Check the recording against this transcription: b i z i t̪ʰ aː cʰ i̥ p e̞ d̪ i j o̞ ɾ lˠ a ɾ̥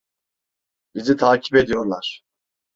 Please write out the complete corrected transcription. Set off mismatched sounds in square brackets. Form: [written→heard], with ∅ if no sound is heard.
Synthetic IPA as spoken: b i z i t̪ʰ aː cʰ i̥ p e̞ d̪ i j o̞ ɾ lˠ a ɾ̥